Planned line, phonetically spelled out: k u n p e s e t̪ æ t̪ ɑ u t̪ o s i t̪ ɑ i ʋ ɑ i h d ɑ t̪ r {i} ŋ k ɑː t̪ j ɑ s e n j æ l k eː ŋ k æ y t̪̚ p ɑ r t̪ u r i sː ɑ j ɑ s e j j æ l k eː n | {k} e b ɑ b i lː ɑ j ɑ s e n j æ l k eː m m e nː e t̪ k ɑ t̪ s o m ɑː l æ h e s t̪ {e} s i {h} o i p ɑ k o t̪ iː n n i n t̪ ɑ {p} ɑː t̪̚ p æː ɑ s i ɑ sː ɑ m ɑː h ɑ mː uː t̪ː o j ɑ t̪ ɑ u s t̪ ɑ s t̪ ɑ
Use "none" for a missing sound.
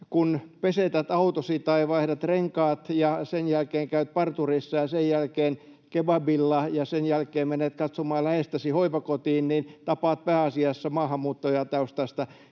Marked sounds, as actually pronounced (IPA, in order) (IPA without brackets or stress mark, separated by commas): e, k, æ, h, p